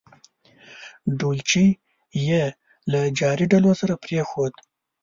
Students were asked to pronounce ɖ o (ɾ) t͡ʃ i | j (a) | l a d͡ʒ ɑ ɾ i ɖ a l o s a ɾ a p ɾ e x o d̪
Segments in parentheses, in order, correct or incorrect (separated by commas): incorrect, incorrect